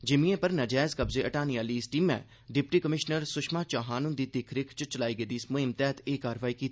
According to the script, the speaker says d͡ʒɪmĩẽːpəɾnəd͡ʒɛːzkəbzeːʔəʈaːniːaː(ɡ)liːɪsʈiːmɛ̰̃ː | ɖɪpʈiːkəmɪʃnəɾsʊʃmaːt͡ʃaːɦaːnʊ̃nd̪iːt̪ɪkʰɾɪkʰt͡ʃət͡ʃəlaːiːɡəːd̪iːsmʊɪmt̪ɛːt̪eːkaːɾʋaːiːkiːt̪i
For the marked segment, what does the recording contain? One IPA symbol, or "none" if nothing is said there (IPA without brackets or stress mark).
none